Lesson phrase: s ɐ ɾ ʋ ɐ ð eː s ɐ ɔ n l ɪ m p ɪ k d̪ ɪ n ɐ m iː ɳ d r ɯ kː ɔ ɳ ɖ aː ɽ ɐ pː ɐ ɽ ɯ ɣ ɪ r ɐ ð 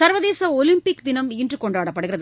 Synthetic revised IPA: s ɐ ɾ ʋ ɐ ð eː s ɐ ɔ l ɪ m p ɪ k d̪ ɪ n ɐ m iː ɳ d r ɯ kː ɔ ɳ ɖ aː ɽ ɐ pː ɐ ɽ ɯ ɣ ɪ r ɐ ð